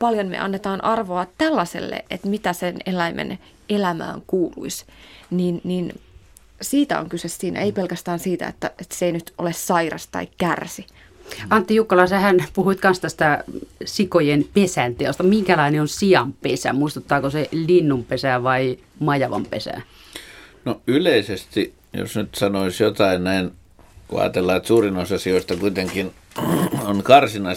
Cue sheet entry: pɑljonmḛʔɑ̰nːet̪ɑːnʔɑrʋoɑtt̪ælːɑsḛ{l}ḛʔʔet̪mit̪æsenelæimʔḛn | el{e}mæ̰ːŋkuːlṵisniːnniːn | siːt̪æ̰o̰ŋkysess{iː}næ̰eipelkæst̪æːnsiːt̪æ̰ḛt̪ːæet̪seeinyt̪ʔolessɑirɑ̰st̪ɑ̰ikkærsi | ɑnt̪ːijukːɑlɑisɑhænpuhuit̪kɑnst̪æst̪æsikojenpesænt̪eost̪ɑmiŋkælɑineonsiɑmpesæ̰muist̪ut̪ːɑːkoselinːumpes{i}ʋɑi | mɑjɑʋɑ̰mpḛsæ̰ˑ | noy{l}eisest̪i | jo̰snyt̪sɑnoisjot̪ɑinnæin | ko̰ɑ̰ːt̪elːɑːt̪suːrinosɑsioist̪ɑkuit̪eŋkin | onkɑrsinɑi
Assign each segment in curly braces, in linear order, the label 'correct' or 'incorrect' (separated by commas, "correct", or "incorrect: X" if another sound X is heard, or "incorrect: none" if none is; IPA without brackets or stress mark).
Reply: incorrect: lː, incorrect: æ, correct, incorrect: æ, correct